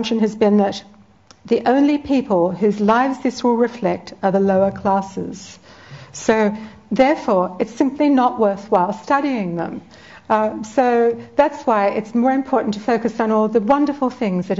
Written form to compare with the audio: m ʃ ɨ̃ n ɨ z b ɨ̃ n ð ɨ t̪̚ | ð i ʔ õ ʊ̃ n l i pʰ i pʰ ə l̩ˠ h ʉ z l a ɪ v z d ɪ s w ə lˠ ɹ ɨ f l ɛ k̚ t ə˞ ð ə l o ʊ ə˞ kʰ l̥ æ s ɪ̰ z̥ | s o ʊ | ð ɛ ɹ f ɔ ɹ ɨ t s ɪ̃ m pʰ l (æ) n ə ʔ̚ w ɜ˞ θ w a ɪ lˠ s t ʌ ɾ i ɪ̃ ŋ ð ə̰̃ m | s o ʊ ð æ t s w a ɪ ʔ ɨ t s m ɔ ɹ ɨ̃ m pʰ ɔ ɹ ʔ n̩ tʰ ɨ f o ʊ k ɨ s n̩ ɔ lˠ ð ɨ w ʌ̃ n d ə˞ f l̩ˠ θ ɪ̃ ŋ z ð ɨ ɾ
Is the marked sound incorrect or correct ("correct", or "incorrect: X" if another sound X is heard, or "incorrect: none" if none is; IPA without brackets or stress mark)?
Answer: incorrect: i